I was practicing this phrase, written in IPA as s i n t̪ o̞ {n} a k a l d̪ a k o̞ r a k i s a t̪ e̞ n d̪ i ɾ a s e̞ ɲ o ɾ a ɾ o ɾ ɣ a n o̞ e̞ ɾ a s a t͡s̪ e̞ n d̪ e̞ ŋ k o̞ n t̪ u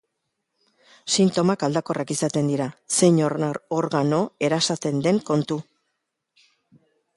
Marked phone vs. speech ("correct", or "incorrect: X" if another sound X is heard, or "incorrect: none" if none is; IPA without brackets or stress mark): incorrect: m